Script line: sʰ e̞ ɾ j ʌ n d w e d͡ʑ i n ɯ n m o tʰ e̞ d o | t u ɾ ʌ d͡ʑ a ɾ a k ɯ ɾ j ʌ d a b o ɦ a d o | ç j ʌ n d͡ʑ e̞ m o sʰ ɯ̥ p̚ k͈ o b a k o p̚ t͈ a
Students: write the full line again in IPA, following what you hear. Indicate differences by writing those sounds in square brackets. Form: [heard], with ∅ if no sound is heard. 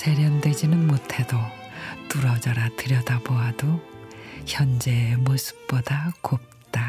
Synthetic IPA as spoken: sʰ e̞ ɾ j ʌ n d w e d͡ʑ i n ɯ n m o tʰ e̞ d o | t u ɾ ʌ d͡ʑ a ɾ a [t] ɯ ɾ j ʌ d a b o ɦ a d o | ç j ʌ n d͡ʑ e̞ m o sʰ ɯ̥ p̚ [p͈] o [d] a k o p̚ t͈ a